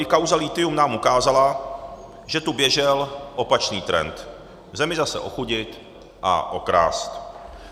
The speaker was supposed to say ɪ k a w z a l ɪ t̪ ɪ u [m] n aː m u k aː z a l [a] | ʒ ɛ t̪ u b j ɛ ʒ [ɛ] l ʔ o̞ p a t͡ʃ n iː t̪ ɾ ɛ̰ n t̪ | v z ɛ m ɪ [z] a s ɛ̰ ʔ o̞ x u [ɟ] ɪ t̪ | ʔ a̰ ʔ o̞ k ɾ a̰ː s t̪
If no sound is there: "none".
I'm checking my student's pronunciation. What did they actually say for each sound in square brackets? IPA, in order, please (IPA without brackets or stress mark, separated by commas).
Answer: m, a, ɛ, z, ɟ